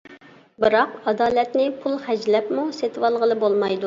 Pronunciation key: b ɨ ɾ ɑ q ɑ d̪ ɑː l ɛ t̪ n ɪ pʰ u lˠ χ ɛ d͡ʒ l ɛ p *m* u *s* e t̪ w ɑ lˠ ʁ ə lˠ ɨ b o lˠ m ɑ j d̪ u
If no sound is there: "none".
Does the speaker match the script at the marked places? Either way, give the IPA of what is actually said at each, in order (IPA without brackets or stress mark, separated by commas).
m, s